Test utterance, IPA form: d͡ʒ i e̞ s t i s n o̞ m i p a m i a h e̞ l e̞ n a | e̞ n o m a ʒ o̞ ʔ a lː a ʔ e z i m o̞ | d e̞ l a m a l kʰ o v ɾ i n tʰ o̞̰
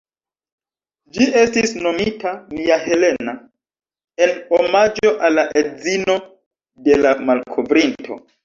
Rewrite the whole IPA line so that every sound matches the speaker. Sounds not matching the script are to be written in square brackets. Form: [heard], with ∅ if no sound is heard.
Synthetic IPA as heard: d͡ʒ i e̞ s t i s n o̞ m i [t] a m i a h e̞ l e̞ n a | e̞ n o m a [d͡ʒ] o̞ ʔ a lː a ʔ e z i [n] o̞ | d e̞ l a m a l kʰ o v ɾ i n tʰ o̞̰